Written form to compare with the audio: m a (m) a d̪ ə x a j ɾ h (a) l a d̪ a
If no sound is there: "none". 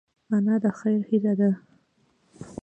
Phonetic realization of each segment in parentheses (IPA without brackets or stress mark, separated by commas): n, i